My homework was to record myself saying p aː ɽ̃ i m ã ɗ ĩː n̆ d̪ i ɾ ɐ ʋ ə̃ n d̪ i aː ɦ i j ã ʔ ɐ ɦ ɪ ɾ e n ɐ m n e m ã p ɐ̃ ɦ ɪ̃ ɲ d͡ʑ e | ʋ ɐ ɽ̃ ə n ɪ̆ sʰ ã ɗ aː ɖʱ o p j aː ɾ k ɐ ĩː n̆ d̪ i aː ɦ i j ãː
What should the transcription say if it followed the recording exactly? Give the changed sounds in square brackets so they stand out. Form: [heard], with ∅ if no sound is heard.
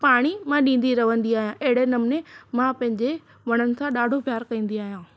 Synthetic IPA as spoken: p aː ɽ̃ i m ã ɗ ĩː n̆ d̪ i ɾ ɐ ʋ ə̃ n d̪ i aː ɦ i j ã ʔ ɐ ɦ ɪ [ɽ] e n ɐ m n e m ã p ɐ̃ ɦ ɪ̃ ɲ d͡ʑ e | ʋ ɐ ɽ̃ ə n ɪ̆ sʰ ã ɗ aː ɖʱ o p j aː ɾ k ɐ ĩː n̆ d̪ i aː ɦ i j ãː